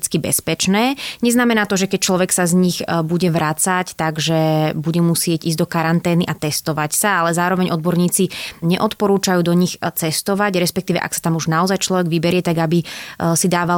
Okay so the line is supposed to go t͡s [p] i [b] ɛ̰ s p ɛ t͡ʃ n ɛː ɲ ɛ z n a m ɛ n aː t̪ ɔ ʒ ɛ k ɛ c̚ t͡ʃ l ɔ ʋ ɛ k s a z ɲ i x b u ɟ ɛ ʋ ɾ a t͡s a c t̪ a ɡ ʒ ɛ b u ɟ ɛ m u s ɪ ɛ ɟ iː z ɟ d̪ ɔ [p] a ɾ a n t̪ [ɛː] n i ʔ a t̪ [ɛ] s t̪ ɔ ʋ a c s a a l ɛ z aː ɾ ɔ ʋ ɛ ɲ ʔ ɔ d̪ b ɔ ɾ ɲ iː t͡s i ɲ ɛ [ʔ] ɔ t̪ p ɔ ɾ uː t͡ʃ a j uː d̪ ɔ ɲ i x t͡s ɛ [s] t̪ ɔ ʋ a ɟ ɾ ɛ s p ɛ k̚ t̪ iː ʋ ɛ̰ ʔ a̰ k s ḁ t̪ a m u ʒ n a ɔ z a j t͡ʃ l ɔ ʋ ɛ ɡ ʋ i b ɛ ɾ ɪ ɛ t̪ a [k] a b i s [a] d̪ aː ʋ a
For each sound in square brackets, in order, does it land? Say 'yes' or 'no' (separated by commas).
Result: no, yes, no, yes, yes, yes, yes, no, no